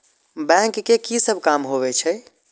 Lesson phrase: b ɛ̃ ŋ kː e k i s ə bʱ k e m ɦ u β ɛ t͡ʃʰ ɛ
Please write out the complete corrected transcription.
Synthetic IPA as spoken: b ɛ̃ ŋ kː e k i s ə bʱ k a m ɦ o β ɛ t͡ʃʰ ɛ